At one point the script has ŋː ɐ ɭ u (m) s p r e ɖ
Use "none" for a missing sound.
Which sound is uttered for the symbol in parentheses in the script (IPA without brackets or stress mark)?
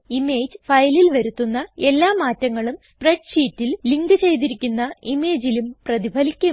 m